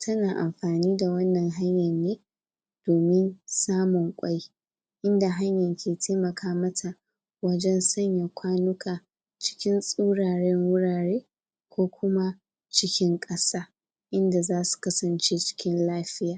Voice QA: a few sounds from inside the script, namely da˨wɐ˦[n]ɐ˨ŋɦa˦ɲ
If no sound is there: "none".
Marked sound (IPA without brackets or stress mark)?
nː